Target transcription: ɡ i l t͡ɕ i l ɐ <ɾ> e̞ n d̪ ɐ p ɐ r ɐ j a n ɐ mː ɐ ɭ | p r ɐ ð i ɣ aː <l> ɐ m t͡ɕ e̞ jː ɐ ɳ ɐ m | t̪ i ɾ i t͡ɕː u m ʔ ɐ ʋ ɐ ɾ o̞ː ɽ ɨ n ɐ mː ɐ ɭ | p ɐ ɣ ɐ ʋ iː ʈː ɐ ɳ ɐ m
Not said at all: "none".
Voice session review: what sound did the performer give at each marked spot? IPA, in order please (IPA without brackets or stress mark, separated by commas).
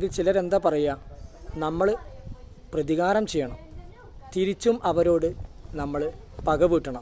ɾ, ɾ